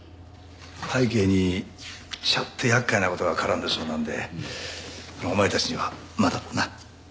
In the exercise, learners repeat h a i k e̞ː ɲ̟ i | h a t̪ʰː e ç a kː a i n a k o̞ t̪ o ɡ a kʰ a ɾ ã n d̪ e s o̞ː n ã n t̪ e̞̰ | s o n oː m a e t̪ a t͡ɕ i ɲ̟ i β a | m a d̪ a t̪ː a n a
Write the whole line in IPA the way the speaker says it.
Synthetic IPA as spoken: h a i k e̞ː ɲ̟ i | ɕ a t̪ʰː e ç a kː a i n a k o̞ t̪ o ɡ a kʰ a ɾ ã n d̪ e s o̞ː n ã n d̪ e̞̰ | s o n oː m a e t̪ a t͡ɕ i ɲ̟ i β a | m a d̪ a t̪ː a n a